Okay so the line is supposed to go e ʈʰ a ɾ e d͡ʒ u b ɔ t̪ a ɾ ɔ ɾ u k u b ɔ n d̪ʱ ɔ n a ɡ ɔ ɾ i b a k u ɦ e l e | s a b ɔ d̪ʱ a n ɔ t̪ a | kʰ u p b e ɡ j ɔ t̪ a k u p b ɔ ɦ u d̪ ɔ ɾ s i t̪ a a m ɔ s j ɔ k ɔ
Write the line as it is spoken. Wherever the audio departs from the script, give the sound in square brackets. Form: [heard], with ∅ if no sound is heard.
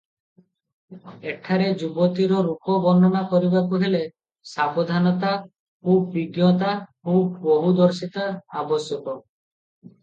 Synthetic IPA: e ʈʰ a ɾ e d͡ʒ u b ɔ t̪ [i] ɾ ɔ ɾ u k [ɔ] b ɔ n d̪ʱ ɔ n a [k] ɔ ɾ i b a k u ɦ e l e | s a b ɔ d̪ʱ a n ɔ t̪ a | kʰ u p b [i] ɡ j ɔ t̪ a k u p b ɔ ɦ u d̪ ɔ ɾ s i t̪ a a [b] ɔ s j ɔ k ɔ